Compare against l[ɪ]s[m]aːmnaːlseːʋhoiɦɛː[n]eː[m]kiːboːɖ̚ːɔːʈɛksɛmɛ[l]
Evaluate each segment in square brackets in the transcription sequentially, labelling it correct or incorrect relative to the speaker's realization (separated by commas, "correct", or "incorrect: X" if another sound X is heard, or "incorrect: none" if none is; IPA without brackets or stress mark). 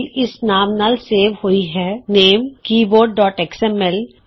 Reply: correct, incorrect: n, correct, correct, correct